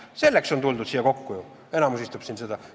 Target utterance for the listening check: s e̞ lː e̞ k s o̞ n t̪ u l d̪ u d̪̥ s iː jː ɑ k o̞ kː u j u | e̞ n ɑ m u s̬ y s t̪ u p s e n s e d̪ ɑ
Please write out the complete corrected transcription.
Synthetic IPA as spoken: s e̞ lː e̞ k s o̞ n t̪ u l d̪ u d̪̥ s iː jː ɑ k o̞ kː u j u | e̞ n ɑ m u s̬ i s t̪ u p s i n s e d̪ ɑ

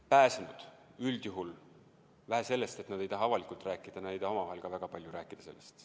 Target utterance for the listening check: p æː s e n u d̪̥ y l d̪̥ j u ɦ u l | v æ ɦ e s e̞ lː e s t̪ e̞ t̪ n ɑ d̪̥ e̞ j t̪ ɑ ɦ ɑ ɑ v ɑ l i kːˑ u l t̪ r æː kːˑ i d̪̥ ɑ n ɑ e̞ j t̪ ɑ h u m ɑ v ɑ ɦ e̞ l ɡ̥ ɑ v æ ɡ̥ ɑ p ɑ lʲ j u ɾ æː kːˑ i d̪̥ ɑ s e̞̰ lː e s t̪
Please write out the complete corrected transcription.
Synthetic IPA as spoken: p æː s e n u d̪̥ y l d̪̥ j u ɦ u l | v æ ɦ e s e̞ lː e s t̪ e̞ t̪ n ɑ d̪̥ e̞ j t̪ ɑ ɦ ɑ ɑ v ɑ l i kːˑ u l t̪ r æː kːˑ i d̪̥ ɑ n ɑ e̞ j t̪ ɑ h o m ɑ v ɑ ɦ e̞ l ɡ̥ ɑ v æ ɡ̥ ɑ p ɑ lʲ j u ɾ æː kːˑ i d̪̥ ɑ s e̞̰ lː e s t̪

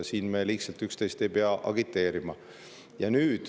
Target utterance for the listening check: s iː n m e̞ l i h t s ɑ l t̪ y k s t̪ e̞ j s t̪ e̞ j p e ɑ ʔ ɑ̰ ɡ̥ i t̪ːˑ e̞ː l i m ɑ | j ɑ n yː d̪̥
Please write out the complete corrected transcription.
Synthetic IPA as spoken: s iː n m e̞ l i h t s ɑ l t̪ y k s t̪ e̞ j s t̪ e̞ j p e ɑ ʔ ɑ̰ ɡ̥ i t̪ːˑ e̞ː ɾ i m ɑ | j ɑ n yː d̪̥

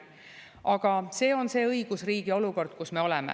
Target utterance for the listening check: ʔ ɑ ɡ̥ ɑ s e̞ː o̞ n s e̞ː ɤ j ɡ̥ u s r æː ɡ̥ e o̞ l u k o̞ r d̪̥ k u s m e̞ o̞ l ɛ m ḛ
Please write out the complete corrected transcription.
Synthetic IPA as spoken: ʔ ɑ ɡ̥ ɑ s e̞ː o̞ n s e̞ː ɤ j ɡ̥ u s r iː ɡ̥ i o̞ l u k o̞ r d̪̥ k u s m e̞ o̞ l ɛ m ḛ

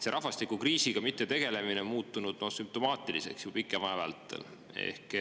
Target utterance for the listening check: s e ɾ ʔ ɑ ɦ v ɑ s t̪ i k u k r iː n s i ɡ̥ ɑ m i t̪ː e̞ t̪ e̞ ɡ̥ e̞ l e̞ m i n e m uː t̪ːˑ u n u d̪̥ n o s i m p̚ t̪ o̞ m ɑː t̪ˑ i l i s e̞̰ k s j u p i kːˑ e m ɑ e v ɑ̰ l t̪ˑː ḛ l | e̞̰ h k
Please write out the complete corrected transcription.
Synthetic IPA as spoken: s e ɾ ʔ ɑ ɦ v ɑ s t̪ i k u k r iː s i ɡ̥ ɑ m i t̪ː e̞ t̪ e̞ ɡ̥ e̞ l e̞ m i n e m uː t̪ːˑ u n u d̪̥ n o s y m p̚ t̪ o̞ m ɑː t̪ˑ i l i s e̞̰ k s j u p i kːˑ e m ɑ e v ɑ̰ l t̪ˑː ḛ l | e̞̰ h k

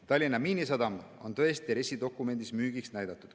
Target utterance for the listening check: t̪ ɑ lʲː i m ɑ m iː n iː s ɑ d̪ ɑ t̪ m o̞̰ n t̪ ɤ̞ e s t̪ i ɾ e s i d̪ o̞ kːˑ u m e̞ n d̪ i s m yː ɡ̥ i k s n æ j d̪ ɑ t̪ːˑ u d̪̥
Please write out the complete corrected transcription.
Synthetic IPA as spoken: t̪ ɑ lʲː i n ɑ m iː n i s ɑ d̪ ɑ m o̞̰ n t̪ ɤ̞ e s t̪ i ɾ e s i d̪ o̞ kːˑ u m e̞ n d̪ i s m yː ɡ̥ i k s n æ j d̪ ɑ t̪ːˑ u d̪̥

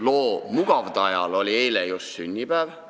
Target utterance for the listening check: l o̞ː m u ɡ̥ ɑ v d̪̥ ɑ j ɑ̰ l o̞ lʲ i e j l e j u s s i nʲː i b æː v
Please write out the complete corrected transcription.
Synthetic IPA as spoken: l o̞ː m u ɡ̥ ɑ v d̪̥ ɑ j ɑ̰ l o̞ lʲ i e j l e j u s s y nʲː i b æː v

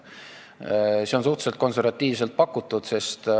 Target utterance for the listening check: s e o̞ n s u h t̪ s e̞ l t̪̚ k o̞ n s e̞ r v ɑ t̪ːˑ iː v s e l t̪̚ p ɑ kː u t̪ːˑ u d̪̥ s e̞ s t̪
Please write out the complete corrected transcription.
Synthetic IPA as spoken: s e o̞ n s u h t̪ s e̞ l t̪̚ k o̞ n s e̞ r v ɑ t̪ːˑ iː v s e l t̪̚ p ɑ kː u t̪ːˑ u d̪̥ s e̞ s t̪

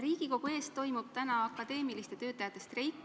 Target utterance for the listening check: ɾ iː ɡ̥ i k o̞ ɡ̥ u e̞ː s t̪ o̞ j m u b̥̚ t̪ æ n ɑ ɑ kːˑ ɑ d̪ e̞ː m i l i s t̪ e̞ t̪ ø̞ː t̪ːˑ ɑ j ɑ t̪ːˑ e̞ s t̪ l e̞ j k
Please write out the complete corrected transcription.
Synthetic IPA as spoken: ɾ iː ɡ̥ i k o̞ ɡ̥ u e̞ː s t̪ o̞ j m u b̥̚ t̪ æ n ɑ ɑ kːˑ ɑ d̪ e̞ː m i l i s t̪ e̞ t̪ ø̞ː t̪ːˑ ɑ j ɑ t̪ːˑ e̞ s t̪ r e̞ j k

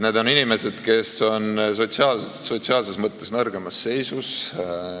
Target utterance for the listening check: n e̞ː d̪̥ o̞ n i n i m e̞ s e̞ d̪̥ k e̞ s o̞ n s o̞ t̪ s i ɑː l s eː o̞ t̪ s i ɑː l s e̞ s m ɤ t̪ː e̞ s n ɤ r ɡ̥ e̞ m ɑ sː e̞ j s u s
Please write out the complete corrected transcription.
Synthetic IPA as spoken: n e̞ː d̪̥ o̞ n i n i m e̞ s e̞ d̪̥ k e̞ s o̞ n s o̞ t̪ s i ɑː l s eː o̞ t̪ s i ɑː l s e̞ s m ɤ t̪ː e̞ s n ɤ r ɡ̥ e̞ m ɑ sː e̞ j s u s

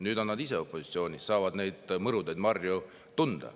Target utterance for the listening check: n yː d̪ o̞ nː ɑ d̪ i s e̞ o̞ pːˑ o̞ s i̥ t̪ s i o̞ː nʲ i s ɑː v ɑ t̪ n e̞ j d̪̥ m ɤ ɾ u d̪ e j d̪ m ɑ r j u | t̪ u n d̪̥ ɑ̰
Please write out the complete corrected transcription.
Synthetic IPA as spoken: n yː d̪ o̞ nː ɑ d̪ i s e̞ o̞ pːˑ o̞ s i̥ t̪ s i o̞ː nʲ i s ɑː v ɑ d̪ n e̞ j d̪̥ m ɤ ɾ u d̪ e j d̪ m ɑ r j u | t̪ u n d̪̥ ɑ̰

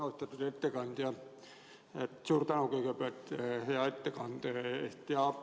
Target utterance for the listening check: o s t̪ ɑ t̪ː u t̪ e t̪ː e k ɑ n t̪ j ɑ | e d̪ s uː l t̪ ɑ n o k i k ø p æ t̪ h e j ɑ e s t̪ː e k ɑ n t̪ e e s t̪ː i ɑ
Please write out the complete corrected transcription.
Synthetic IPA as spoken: o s t̪ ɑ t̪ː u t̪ e t̪ː e k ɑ n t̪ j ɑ | e t̪ s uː r t̪ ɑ n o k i k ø p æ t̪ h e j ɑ e t̪ː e k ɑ n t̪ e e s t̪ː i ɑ

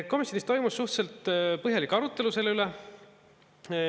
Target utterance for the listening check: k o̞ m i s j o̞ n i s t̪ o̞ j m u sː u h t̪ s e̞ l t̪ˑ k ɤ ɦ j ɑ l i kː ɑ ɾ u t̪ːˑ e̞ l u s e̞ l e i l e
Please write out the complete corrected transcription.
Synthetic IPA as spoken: k o̞ m i s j o̞ n i s t̪ o̞ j m u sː u h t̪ s e̞ l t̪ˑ p ɤ ɦ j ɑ l i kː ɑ ɾ u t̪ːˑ e̞ l u s e̞ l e y l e

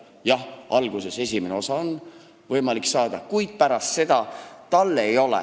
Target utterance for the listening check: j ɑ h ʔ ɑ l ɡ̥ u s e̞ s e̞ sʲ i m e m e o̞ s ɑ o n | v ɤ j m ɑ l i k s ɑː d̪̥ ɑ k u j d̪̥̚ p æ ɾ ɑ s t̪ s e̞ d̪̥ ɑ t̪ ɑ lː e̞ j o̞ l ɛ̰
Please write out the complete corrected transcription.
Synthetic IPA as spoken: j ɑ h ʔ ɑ l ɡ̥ u s e̞ s e̞ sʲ i m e n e o̞ s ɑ o n | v ɤ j m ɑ l i k s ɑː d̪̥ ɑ k u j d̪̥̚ p æ ɾ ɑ s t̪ s e̞ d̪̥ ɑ t̪ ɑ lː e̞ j o̞ l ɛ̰

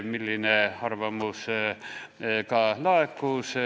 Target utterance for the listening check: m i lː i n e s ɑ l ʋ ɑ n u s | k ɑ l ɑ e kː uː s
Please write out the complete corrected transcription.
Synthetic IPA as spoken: m i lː i n e h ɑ r ʋ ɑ m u s | k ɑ l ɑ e kː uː s

